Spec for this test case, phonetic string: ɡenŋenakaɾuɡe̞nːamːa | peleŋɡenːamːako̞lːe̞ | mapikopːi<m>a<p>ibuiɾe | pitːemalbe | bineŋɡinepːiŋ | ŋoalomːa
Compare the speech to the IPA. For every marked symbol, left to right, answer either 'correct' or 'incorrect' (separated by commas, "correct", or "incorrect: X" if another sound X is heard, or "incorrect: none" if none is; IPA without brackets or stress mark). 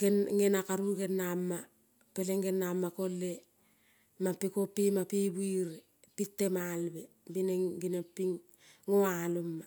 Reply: correct, correct